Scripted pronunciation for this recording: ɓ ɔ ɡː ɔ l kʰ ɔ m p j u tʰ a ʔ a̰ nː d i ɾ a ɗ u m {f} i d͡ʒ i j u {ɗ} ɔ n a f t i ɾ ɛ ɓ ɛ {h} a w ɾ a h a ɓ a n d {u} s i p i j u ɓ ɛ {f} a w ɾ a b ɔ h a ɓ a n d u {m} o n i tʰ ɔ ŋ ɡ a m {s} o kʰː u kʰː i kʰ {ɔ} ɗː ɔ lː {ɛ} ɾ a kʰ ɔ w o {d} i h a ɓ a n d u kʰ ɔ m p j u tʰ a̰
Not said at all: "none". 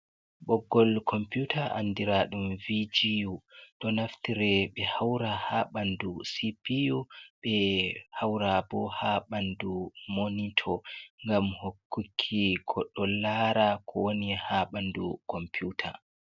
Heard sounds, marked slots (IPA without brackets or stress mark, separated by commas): v, ɗ, h, u, h, m, h, ɔ, a, n